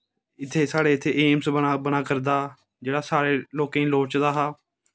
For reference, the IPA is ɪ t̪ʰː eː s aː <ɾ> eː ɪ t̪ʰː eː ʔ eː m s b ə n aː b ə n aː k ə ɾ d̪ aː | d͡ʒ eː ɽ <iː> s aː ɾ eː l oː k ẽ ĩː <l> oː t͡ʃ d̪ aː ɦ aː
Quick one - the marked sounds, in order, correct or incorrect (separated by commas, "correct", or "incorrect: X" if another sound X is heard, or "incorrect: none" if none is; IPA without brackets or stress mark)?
incorrect: ɽ, incorrect: aː, correct